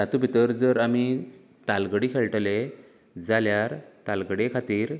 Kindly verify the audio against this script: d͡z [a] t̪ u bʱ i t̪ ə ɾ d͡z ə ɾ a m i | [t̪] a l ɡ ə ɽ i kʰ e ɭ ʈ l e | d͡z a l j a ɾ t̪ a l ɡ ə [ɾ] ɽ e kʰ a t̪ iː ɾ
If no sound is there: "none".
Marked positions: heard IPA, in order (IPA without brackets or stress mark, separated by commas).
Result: a, t̪, none